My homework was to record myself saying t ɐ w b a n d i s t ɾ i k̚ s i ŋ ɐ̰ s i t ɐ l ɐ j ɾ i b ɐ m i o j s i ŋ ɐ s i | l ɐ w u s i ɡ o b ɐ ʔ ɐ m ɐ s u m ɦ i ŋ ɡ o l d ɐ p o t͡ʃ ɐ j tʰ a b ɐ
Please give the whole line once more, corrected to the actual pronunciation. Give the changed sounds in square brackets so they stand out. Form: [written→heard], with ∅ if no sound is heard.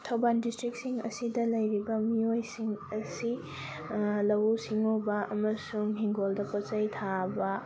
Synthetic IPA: [t→tʰ] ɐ w b a n d i s t ɾ i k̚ s i ŋ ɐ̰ s i [t→d] ɐ l ɐ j ɾ i b ɐ m i o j s i ŋ ɐ s i | l ɐ w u s i [ɡ→ŋ] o b ɐ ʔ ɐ m ɐ s u [m→ŋ] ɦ i ŋ ɡ o l d ɐ p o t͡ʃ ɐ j tʰ a b ɐ